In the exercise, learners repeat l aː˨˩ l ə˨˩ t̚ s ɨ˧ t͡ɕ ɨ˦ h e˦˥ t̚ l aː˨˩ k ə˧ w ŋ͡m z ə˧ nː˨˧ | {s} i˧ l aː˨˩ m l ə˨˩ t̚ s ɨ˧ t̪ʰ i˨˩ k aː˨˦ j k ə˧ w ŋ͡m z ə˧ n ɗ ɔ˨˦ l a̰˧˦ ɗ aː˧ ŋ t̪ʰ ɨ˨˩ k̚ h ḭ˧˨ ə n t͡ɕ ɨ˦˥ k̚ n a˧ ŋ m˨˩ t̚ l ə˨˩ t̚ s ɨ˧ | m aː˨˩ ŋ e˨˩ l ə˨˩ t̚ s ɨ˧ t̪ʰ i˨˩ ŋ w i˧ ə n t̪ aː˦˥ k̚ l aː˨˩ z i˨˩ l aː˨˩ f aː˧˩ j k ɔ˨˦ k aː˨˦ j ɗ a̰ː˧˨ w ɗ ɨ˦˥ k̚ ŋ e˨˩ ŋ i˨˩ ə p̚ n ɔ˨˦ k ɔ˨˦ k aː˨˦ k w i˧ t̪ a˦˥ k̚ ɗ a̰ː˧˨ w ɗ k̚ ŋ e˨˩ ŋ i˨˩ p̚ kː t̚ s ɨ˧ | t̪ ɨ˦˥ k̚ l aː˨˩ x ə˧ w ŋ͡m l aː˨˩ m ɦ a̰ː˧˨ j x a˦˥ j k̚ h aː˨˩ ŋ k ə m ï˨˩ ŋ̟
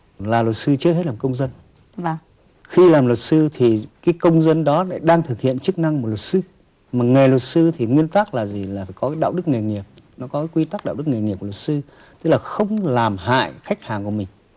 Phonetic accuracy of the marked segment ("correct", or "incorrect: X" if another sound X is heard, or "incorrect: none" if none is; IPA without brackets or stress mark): incorrect: x